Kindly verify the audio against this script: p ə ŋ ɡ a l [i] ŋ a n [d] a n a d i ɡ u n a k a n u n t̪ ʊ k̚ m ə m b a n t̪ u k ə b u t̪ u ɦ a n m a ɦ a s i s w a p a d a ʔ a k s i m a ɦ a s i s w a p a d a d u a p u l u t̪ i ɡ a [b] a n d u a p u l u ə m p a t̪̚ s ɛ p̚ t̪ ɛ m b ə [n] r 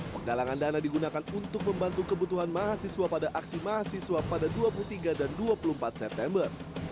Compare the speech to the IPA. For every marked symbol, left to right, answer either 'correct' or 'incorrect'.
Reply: incorrect: a, correct, incorrect: d, incorrect: none

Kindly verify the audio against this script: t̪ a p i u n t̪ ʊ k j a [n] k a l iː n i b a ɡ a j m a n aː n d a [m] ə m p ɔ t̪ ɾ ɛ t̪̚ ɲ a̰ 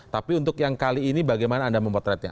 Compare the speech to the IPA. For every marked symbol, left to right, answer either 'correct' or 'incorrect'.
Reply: incorrect: ŋ, correct

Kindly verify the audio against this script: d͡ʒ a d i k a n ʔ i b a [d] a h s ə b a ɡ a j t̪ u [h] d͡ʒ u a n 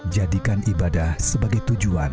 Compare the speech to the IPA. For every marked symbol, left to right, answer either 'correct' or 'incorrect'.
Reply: correct, incorrect: none

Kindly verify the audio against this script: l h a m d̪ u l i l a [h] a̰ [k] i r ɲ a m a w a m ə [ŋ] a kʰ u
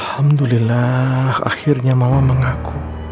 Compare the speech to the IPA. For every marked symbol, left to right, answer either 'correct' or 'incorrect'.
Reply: correct, incorrect: x, correct

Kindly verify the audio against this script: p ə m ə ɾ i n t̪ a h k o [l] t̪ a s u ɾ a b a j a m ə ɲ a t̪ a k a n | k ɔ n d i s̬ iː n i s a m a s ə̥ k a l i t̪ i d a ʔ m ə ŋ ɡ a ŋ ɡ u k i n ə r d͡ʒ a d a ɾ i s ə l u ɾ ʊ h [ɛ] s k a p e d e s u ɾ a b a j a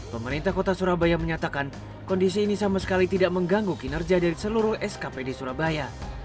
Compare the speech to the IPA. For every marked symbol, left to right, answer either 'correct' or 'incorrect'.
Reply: incorrect: none, correct

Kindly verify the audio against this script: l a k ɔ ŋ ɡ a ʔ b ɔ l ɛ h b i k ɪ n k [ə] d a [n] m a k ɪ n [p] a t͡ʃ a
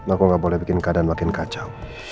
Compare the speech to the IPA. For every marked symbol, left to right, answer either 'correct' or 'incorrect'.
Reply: incorrect: a, correct, incorrect: k

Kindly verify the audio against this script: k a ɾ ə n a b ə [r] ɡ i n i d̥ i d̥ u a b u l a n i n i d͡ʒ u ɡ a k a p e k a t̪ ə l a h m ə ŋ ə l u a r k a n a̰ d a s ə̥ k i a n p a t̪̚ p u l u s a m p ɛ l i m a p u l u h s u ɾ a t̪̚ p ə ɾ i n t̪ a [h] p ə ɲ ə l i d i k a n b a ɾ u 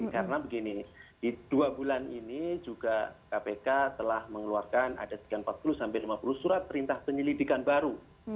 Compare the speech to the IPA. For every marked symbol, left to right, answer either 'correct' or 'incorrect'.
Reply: incorrect: none, correct

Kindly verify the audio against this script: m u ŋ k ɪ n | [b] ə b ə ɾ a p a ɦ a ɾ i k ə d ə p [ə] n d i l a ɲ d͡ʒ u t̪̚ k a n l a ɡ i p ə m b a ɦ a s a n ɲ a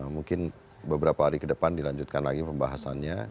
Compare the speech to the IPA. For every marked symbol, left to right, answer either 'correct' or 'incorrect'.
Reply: correct, incorrect: a

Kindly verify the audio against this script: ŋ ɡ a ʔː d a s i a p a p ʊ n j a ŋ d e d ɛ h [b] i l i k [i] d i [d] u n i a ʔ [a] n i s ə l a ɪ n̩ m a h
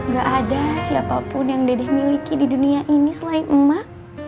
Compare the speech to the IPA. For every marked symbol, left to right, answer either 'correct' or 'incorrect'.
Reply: incorrect: m, correct, correct, incorrect: i

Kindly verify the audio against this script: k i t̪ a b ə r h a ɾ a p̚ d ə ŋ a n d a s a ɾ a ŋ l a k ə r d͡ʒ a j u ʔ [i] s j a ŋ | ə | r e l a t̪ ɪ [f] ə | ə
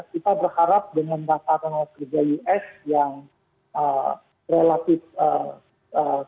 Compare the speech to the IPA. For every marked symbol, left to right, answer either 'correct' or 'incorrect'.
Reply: incorrect: ɛ, correct

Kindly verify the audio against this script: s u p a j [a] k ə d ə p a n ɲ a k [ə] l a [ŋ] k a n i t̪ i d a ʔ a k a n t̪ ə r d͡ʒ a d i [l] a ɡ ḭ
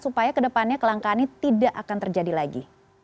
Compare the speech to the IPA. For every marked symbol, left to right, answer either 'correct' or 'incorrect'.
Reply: correct, correct, correct, correct

